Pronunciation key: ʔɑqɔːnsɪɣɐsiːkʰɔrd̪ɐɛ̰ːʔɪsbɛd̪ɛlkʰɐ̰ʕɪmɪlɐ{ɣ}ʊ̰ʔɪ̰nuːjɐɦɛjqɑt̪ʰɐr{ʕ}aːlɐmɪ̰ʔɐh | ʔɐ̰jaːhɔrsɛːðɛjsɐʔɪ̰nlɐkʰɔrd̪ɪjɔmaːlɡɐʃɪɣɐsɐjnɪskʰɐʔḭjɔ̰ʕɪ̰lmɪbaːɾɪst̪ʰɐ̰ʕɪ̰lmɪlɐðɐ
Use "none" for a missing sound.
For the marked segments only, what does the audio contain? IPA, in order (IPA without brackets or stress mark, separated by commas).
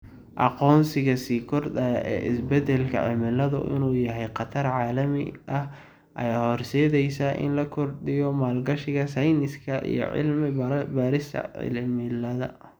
ð, ʕ